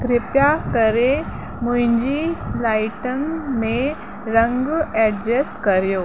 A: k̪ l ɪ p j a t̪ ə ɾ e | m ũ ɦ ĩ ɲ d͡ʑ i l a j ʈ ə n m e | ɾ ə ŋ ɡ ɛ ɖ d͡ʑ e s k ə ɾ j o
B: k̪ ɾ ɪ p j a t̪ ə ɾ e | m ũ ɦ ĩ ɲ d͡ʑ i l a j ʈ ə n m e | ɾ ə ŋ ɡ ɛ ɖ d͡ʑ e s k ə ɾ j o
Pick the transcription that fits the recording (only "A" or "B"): B